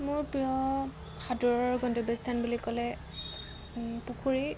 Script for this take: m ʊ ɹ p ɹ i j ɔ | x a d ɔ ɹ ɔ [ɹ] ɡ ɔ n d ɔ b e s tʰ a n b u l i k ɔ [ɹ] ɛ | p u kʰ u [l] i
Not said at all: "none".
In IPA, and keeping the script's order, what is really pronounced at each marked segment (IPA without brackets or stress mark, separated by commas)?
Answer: ɹ, l, ɹ